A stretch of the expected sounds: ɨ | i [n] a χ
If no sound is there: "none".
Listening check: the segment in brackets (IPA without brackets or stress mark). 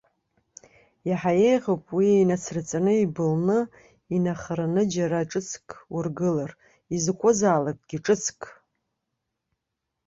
n